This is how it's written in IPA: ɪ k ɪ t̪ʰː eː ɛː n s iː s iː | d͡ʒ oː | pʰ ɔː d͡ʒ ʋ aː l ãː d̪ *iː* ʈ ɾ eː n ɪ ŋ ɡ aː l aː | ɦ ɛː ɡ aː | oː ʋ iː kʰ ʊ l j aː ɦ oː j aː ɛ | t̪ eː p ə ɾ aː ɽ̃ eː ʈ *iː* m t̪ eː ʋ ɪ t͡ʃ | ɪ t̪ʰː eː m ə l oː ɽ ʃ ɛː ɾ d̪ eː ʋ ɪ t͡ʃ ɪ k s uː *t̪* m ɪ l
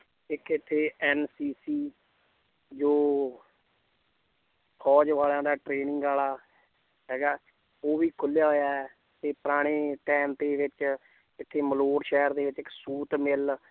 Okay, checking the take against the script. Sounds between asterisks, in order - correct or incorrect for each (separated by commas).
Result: incorrect, incorrect, correct